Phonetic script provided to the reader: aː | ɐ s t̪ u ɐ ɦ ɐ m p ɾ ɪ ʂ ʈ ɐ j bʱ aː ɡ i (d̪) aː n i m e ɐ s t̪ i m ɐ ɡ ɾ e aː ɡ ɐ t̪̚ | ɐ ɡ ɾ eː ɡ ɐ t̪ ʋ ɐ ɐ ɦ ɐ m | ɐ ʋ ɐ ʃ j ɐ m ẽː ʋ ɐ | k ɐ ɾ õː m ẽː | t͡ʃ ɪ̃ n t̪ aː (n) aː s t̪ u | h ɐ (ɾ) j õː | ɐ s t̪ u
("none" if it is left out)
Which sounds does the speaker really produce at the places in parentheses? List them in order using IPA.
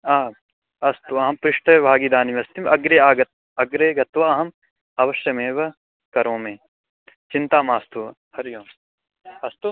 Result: d̪, m, ɾ

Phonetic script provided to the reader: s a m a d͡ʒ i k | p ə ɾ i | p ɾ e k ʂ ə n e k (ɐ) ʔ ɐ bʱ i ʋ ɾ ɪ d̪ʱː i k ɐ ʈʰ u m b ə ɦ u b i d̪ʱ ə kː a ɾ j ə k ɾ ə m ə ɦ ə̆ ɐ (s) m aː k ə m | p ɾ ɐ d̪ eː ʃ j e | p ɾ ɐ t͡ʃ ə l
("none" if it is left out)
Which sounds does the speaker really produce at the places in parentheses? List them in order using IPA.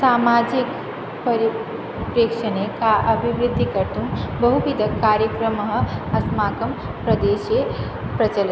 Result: a, s

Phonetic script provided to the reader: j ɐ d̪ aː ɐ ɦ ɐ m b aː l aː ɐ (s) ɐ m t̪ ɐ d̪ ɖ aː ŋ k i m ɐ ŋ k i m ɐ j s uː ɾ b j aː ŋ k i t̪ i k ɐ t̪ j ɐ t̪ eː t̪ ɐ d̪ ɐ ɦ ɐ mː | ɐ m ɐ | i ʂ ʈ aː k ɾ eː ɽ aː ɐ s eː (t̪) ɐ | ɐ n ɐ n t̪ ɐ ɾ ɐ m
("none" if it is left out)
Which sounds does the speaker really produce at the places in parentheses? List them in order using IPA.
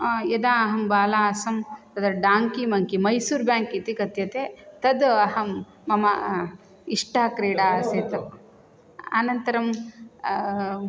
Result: s, t̪

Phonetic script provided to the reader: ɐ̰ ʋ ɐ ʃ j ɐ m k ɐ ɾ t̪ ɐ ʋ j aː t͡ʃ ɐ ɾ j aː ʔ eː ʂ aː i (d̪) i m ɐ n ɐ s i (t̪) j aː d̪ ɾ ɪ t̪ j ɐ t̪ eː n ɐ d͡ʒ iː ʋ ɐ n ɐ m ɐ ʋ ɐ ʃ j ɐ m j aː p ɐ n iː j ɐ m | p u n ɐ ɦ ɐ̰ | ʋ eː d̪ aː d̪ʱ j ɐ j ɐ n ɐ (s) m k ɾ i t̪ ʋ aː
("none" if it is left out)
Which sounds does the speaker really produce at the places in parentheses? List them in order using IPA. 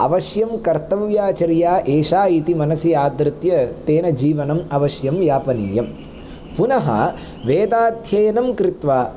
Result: t̪, none, none

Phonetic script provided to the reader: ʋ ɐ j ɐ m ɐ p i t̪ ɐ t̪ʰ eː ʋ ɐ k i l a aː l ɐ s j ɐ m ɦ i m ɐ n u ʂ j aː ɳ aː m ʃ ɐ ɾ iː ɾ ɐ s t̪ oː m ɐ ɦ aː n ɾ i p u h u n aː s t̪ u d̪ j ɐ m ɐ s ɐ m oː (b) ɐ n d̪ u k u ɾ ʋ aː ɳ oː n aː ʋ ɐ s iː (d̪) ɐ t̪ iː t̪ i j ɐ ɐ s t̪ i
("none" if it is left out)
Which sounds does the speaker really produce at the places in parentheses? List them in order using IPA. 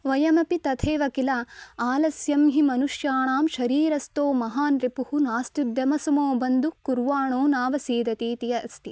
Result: b, d̪

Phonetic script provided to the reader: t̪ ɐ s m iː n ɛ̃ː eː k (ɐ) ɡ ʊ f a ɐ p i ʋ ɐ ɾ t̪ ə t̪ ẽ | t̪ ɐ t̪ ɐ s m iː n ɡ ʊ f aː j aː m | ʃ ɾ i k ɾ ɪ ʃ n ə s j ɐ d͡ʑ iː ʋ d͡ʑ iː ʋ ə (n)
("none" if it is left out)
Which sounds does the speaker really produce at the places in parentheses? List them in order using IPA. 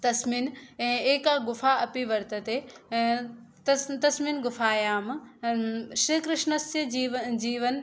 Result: a, n

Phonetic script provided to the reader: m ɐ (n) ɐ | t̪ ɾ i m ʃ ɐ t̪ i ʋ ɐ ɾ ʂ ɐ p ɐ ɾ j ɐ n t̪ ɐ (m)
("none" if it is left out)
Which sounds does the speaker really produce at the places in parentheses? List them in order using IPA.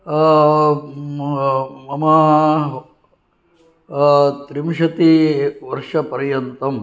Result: m, m

